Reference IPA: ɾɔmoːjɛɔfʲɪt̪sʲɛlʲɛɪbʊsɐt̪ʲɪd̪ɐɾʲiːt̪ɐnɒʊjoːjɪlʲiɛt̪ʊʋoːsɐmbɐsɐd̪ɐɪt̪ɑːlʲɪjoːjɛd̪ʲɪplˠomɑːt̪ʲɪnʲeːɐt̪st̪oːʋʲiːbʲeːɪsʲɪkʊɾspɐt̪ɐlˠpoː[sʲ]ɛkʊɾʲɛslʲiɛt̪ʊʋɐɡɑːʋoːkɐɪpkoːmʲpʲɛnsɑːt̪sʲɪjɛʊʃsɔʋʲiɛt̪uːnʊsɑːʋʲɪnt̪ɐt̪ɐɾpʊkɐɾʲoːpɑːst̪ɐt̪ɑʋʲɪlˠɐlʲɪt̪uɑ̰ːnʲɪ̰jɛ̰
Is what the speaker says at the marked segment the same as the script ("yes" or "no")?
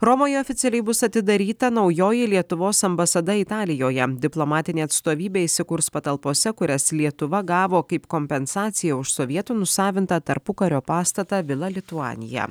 yes